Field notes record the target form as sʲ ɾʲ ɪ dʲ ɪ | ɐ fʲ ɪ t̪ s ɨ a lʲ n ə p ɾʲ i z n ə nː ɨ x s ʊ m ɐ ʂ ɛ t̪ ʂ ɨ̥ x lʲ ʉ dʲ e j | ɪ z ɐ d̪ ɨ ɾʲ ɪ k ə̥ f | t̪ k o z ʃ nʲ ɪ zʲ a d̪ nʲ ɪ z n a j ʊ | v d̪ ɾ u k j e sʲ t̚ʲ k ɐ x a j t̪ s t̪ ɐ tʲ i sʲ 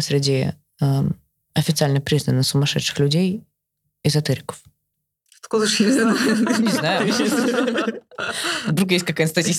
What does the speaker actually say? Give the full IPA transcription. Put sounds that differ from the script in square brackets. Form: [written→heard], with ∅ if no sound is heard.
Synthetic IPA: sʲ ɾʲ ɪ dʲ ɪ | ɐ fʲ ɪ t̪ s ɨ a lʲ n ə p ɾʲ i z n ə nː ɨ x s ʊ m ɐ ʂ ɛ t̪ ʂ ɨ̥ x lʲ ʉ dʲ e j | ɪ z ɐ [d̪→t̪] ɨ ɾʲ ɪ k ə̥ f | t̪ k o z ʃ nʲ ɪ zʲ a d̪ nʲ ɪ z n a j ʊ | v d̪ ɾ u k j e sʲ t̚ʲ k ɐ [x→k] a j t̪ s t̪ ɐ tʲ i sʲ